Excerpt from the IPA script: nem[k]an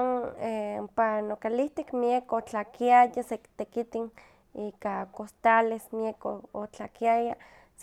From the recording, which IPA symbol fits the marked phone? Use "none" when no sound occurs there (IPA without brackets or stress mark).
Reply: p